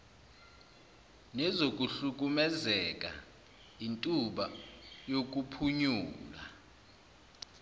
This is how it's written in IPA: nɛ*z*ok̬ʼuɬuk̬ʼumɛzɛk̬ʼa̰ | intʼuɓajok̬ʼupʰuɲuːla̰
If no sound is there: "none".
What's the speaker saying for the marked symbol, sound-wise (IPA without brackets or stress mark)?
z